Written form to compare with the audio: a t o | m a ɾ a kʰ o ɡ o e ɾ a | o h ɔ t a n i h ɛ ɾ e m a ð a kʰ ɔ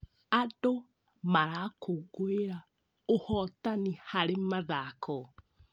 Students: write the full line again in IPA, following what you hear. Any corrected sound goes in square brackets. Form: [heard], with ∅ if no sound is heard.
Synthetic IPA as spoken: a [d] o | m a ɾ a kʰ o ɡ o e ɾ a | o h ɔ t a n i h [a] ɾ e m a ð a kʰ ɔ